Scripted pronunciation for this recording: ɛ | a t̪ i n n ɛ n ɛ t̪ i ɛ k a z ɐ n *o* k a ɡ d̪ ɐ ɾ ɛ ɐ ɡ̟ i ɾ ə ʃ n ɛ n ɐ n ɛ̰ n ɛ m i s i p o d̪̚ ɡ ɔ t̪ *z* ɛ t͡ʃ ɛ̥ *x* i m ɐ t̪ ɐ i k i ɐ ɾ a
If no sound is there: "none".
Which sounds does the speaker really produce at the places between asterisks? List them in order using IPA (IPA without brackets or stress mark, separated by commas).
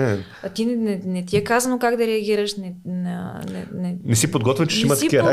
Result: o, v, ʃ